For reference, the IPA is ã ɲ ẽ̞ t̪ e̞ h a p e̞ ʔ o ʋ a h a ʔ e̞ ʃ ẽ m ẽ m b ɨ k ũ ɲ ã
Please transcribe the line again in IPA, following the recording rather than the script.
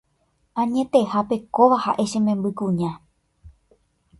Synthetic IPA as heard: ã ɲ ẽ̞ t̪ e̞ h a p e̞ k o ʋ a h a ʔ e̞ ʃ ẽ m ẽ m b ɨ k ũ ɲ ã